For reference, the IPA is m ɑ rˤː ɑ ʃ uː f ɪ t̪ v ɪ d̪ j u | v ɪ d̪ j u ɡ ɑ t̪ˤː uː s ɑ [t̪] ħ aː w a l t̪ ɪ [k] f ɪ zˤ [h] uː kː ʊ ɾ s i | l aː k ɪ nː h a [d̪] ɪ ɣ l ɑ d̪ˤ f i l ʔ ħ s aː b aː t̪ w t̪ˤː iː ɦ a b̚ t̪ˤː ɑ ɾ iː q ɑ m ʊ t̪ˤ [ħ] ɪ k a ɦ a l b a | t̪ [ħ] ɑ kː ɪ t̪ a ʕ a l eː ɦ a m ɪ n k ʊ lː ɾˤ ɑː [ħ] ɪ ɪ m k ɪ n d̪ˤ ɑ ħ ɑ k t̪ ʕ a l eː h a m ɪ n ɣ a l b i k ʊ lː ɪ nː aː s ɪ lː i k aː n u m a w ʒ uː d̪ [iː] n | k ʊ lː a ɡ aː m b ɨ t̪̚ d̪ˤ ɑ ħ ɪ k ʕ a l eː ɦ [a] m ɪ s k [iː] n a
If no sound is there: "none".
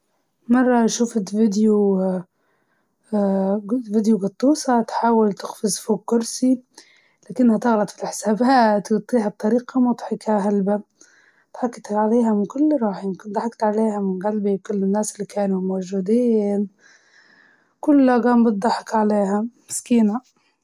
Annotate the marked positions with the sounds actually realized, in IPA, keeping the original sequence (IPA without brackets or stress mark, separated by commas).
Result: t̪, x, f, t̪, ħ, ħ, ħ, iː, a, iː